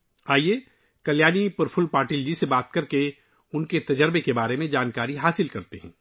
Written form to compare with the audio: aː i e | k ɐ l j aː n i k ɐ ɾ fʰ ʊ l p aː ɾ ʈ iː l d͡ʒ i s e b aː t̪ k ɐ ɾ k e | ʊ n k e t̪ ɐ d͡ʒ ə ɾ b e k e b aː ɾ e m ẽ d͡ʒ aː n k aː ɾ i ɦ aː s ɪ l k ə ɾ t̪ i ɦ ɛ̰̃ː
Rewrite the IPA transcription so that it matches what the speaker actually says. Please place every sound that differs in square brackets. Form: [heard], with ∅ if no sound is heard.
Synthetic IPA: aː i e | k ɐ l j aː n i [p] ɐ ɾ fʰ ʊ l p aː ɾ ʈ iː l d͡ʒ i s e b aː t̪ k ɐ ɾ k e | ʊ n k e t̪ ɐ d͡ʒ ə ɾ b e k e b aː ɾ e m ẽ d͡ʒ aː n k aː ɾ i ɦ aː s ɪ l k [ɐ] ɾ t̪ [e] ɦ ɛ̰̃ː